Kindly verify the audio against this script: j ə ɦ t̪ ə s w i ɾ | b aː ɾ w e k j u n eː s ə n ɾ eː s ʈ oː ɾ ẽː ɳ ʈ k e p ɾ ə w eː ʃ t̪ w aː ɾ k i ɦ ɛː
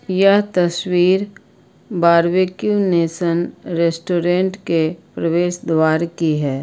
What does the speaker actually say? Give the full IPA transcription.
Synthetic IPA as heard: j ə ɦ t̪ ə s w iː ɾ | b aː ɾ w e k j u n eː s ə n ɾ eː s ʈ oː ɾ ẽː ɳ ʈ k e p ɾ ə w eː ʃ d̪ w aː ɾ k i ɦ ɛː